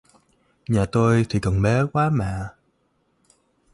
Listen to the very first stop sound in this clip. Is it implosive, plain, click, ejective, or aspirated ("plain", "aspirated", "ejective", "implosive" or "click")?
plain